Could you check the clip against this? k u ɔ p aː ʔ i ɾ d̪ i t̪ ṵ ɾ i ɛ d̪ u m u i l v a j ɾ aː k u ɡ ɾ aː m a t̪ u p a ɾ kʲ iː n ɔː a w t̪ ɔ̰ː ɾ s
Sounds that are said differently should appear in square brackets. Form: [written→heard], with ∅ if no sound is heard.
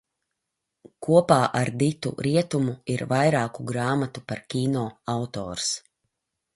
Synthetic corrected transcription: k u ɔ p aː ʔ [i→a] ɾ d̪ i t̪ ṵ ɾ i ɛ [d̪→t̪] u m u i [l→ɾ] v a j ɾ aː k u ɡ ɾ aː m a t̪ u p a ɾ kʲ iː n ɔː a w t̪ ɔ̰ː ɾ s